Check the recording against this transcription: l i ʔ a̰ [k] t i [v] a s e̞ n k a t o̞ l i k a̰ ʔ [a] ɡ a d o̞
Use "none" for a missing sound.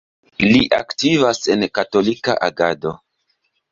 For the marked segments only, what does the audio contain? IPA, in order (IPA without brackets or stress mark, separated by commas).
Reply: k, v, a